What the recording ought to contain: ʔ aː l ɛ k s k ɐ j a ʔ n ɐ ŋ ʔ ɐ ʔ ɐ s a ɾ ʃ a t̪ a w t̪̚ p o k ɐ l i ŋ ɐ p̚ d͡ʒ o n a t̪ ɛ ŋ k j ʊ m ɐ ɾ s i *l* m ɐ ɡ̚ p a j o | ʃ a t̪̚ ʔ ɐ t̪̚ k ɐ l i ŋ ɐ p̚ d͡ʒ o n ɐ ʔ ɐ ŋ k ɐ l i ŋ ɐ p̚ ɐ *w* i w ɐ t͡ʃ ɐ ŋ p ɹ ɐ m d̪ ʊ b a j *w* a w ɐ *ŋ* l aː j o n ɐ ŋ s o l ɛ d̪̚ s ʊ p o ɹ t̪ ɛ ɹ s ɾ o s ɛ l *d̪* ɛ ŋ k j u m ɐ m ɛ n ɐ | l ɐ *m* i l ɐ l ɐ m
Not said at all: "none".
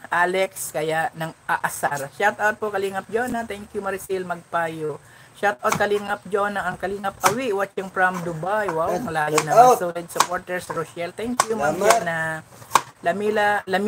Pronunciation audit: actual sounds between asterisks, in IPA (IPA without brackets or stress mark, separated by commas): l, w, w, ŋ, t̪, m